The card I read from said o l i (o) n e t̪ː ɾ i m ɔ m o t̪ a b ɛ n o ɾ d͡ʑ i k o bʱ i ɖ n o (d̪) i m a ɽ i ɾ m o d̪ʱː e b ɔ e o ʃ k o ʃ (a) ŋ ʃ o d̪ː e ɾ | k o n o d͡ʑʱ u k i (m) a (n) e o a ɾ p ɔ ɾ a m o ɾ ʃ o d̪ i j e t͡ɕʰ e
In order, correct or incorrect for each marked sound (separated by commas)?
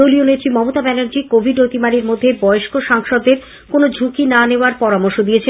correct, incorrect, correct, incorrect, correct